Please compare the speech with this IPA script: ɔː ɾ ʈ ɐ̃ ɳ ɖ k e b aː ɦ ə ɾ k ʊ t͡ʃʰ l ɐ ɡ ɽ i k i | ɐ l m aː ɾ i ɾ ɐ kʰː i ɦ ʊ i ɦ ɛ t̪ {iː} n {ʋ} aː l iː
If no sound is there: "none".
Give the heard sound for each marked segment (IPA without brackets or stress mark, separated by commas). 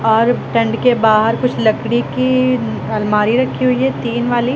iː, ʋ